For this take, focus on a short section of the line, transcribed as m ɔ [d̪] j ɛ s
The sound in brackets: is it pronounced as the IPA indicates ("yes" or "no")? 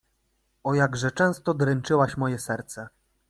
no